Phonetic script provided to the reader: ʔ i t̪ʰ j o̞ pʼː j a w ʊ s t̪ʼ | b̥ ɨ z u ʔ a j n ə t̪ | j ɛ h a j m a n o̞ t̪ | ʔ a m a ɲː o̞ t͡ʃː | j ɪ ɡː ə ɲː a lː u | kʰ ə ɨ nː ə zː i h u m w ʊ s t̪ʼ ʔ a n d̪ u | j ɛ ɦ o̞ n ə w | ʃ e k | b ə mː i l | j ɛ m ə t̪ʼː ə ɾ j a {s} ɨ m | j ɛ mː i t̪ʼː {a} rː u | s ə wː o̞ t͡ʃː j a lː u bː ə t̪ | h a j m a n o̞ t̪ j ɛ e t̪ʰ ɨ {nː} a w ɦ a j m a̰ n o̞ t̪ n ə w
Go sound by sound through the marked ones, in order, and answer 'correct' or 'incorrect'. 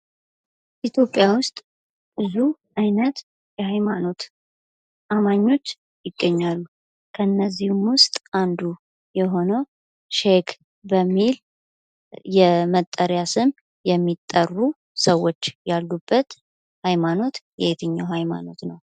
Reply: correct, incorrect: ə, incorrect: ɲː

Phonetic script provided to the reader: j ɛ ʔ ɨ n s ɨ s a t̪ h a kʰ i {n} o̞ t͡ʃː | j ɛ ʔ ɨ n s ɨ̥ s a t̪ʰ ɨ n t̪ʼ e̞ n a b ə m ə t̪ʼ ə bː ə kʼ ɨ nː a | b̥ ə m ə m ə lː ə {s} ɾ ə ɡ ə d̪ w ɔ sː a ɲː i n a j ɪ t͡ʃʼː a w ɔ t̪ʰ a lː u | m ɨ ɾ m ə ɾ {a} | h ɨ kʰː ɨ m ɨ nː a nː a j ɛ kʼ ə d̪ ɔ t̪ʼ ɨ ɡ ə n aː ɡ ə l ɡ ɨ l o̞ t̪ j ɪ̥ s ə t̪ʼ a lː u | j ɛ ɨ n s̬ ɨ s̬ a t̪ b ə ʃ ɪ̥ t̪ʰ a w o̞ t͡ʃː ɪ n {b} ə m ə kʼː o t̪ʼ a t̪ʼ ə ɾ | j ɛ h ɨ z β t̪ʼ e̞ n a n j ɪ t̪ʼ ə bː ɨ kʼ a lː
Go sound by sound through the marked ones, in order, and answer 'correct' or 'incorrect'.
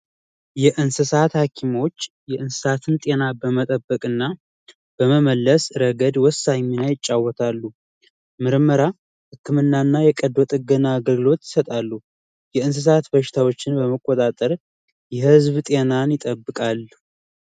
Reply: incorrect: m, correct, correct, correct

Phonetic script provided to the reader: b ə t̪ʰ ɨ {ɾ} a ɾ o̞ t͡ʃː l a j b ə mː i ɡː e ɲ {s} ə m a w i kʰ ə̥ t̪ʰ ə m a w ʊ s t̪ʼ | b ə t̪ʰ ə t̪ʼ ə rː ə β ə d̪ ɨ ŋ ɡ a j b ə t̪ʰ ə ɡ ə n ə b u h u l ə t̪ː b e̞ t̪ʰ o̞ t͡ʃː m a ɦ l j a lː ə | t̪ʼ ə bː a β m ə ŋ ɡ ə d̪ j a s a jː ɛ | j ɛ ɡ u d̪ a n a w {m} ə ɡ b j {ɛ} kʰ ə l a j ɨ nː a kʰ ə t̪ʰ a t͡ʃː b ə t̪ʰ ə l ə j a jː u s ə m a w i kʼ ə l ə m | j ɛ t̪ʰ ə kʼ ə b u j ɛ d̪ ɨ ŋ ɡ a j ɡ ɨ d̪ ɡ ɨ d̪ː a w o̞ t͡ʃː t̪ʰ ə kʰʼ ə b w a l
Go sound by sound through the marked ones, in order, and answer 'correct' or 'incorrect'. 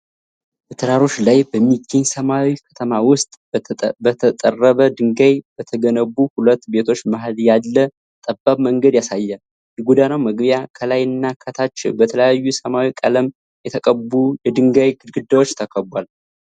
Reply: correct, correct, correct, incorrect: a

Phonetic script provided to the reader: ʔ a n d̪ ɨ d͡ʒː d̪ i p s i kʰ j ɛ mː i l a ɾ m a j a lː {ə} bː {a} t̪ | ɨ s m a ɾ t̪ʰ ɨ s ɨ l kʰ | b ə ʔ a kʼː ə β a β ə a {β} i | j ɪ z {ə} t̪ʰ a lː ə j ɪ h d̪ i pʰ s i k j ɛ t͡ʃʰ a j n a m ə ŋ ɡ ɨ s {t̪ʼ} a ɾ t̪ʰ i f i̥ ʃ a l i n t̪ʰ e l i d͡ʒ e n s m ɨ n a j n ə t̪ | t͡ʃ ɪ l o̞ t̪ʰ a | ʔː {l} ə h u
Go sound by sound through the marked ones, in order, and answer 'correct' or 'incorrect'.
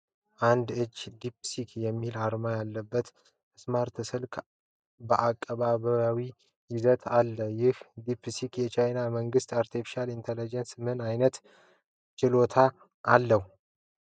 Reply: correct, incorrect: ə, incorrect: w, correct, incorrect: t̪, incorrect: lː

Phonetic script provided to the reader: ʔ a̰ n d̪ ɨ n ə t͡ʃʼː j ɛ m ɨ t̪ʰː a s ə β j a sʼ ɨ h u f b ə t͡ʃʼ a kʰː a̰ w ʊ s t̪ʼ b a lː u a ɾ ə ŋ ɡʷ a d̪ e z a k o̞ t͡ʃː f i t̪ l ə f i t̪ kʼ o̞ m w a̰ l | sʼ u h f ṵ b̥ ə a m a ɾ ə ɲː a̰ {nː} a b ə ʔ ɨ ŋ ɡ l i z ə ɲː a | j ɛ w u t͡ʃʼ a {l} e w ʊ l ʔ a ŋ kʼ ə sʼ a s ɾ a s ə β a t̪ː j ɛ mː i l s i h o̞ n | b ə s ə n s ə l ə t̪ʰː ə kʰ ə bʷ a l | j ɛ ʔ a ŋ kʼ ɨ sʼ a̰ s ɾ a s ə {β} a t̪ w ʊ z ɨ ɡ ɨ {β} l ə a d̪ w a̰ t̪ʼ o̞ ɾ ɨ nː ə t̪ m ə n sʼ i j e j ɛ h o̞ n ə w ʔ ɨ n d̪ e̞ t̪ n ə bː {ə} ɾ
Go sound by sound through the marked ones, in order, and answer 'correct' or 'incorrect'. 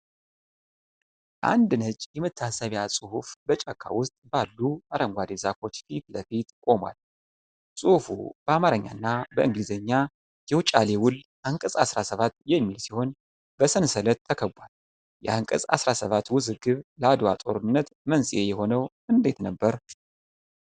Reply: correct, correct, correct, correct, correct

